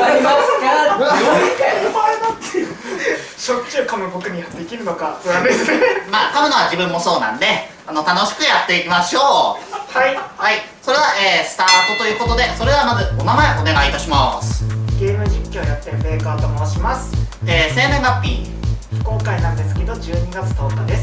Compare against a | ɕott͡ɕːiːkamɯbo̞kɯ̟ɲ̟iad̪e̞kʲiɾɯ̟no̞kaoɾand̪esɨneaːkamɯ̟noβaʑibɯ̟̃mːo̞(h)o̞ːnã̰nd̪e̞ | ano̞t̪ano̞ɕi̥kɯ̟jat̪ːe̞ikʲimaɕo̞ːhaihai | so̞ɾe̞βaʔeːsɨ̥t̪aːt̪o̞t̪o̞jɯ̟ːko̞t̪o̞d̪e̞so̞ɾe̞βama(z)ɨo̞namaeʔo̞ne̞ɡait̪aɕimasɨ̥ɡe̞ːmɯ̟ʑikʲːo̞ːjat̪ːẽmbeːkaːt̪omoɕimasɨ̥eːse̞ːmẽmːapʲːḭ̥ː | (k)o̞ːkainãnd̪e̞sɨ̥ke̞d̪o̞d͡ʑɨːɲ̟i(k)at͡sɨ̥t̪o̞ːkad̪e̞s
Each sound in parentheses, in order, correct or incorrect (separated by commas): incorrect, correct, correct, incorrect